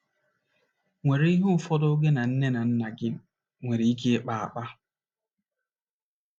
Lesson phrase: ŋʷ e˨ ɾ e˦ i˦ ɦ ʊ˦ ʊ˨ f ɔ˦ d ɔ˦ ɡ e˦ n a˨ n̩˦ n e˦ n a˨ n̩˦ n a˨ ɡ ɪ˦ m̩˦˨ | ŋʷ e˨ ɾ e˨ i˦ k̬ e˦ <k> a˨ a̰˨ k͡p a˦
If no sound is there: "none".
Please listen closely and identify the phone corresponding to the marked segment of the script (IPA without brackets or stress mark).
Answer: k͡p